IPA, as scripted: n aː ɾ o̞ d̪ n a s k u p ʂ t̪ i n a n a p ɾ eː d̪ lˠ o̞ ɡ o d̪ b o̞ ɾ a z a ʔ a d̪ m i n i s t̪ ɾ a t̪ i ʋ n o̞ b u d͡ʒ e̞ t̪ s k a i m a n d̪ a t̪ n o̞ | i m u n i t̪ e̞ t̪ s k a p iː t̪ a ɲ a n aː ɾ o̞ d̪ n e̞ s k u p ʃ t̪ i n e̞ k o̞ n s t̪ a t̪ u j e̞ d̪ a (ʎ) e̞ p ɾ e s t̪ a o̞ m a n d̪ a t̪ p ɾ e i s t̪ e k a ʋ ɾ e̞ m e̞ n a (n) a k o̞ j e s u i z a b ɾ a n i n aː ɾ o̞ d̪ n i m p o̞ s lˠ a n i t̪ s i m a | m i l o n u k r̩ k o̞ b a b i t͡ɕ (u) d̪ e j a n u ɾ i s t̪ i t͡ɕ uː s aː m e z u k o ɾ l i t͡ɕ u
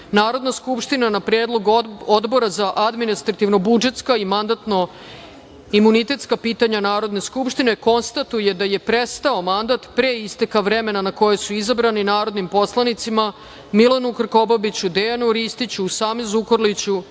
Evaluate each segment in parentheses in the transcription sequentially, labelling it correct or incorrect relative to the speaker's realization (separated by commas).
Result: incorrect, correct, correct